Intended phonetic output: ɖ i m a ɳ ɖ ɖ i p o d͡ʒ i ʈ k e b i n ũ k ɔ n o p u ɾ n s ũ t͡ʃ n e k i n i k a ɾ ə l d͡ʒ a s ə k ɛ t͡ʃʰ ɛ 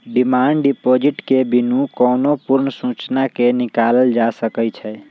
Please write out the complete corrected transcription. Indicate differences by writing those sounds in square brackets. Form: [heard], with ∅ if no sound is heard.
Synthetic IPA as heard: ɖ i m a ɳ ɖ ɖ i p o d͡ʒ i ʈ k e b i n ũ k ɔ n o p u ɾ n s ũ t͡ʃ n [a] k [e] n i k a [l] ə l d͡ʒ a s ə k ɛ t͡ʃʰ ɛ

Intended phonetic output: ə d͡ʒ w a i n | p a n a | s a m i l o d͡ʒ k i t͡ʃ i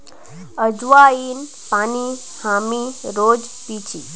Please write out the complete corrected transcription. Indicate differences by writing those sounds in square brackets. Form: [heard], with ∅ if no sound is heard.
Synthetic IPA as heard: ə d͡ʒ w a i n | p a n [i] | [h] a m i [ɾ] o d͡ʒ [p] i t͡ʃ i

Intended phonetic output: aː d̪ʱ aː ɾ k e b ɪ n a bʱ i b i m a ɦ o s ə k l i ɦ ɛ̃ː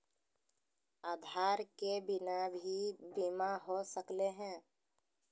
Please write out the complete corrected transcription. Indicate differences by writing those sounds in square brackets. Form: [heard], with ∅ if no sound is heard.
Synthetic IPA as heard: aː d̪ʱ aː ɾ k e b ɪ n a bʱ i b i m a ɦ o s ə k l [e] ɦ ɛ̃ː

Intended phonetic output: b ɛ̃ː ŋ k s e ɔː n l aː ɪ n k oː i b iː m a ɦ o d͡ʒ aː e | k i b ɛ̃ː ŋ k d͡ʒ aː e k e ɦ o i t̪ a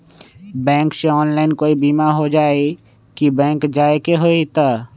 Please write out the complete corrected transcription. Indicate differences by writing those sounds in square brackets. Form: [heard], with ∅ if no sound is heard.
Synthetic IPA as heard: b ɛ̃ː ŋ k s e ɔː n l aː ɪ n k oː i b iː m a ɦ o d͡ʒ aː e | k i b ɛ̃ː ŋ k d͡ʒ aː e k e ɦ o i t̪ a

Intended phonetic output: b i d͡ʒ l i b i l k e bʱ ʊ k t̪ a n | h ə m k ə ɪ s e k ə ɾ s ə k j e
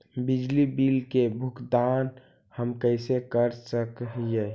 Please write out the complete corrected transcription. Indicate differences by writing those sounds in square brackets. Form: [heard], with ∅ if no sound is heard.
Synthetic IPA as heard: b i d͡ʒ l i b i l k e bʱ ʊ k [d̪] a n | h ə m k ə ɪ s e k ə ɾ s ə k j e

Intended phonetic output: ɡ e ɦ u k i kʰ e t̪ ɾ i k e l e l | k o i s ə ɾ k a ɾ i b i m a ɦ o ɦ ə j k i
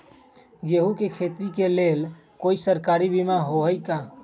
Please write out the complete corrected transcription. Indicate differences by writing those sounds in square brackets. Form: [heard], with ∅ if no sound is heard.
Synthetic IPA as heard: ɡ e ɦ u k [e] kʰ e t̪ ɾ i k e l e l | k o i s ə ɾ k a ɾ i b i m a ɦ o ɦ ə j k [a]

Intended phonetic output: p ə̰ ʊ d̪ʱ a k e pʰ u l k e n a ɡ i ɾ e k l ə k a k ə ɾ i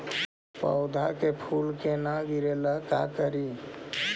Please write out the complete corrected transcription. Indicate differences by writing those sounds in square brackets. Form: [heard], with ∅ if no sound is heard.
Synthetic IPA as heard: p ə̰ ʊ d̪ʱ a k e pʰ u l k e n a ɡ i ɾ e [∅] l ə k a k ə ɾ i

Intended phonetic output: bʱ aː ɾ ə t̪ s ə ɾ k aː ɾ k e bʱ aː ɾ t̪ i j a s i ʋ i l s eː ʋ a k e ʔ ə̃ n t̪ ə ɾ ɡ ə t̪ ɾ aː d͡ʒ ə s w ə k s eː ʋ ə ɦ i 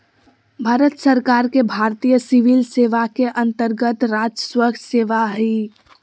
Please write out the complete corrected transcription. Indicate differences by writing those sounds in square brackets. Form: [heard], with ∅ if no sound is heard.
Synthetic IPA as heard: bʱ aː ɾ ə t̪ s ə ɾ k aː ɾ k e bʱ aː ɾ t̪ i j [ə] s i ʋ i l s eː ʋ a k e ʔ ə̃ n t̪ ə ɾ ɡ ə t̪ ɾ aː d͡ʒ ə s w ə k s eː ʋ [a] ɦ i

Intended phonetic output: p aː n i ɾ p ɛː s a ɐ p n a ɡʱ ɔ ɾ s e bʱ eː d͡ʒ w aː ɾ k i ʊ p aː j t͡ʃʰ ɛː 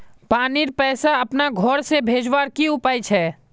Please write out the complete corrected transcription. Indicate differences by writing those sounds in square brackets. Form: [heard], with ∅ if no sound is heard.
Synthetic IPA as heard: p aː n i ɾ p ɛː s a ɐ p n a ɡʱ ɔ ɾ s e bʱ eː d͡ʒ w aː ɾ k i ʊ p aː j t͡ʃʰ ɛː

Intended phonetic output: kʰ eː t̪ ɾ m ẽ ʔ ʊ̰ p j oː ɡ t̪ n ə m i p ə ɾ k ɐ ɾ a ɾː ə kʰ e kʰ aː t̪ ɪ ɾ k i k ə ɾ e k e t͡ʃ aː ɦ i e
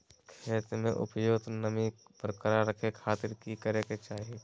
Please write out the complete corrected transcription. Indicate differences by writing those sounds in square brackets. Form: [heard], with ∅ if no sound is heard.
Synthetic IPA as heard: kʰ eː t̪ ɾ m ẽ ʔ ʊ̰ p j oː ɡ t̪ n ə m i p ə ɾ k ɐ ɾ a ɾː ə kʰ e kʰ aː t̪ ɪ ɾ k i k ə ɾ e k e t͡ʃ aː ɦ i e

